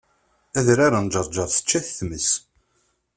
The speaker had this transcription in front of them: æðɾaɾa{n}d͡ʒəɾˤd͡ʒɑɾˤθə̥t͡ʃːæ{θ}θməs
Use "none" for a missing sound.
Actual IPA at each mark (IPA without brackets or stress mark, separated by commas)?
n, θ